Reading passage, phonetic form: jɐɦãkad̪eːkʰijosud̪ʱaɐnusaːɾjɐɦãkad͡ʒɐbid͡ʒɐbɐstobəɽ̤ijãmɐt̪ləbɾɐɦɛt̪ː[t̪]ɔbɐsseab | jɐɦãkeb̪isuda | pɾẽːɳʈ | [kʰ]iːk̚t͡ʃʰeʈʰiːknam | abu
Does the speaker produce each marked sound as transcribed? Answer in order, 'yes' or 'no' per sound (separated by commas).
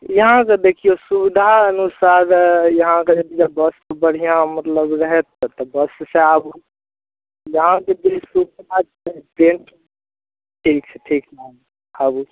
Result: yes, no